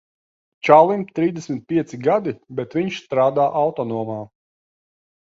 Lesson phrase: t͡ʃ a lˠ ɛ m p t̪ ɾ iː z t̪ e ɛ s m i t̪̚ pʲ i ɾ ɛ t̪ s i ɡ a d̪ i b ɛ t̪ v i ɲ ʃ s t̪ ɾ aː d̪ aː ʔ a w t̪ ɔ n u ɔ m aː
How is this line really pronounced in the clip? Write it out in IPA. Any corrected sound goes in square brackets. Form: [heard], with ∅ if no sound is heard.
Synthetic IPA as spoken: t͡ʃ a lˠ [i] m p t̪ ɾ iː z [d̪] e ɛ s m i t̪̚ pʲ i [∅] ɛ t̪ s i ɡ a d̪ i b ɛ t̪ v i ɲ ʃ s t̪ ɾ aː d̪ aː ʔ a w t̪ ɔ n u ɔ m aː